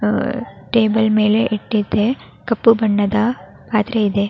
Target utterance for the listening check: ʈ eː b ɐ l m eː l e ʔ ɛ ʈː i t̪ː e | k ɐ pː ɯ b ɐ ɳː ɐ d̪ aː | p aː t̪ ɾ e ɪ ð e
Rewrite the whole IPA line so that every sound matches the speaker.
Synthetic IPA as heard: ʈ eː b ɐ l m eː l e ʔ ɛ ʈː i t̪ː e | k ɐ pː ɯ b ɐ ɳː ɐ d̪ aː | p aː t̪ ɾ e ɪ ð e